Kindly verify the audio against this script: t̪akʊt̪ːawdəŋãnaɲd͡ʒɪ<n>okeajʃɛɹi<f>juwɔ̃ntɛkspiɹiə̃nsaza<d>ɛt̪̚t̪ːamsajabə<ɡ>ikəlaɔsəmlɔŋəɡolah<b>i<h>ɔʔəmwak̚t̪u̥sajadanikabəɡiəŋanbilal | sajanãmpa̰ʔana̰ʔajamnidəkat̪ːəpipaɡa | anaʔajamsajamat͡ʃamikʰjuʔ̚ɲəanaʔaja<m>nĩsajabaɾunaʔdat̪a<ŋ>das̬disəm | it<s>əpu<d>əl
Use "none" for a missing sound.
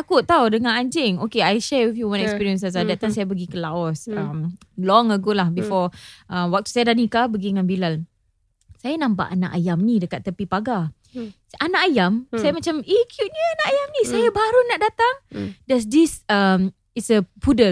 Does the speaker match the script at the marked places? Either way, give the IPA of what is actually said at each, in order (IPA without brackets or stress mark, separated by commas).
ŋ, f, d, ɡ, b, f, m, ŋ, s, d